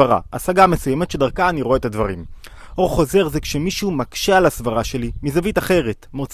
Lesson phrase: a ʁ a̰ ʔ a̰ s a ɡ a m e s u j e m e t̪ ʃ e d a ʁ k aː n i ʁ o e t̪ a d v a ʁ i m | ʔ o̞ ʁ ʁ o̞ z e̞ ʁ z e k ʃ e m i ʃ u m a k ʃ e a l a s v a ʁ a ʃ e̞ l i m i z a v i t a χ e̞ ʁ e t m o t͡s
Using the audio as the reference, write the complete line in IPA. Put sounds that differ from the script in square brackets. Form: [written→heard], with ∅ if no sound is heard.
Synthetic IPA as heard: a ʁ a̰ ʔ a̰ s a ɡ a m e s u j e m e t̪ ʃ e d a ʁ k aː n i ʁ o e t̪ a d v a ʁ i m | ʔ o̞ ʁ [ʁ→χ] o̞ z e̞ ʁ z e k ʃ e m i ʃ u m a k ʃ e a l a s v a ʁ a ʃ e̞ l i m i z a v i t a χ e̞ ʁ e t m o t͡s